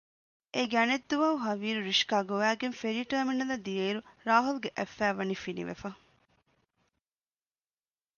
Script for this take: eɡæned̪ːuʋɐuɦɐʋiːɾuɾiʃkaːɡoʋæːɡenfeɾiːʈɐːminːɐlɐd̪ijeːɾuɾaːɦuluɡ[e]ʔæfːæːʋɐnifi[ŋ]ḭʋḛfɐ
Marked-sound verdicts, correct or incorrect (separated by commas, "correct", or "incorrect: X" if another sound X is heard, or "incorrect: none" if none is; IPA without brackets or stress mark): correct, incorrect: n